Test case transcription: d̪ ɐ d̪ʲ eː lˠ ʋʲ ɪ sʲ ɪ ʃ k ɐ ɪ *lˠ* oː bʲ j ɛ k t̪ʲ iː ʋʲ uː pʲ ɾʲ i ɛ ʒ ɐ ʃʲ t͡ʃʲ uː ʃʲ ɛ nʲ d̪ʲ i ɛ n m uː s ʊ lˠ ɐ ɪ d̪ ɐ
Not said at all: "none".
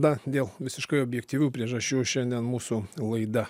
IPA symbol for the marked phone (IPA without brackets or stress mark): none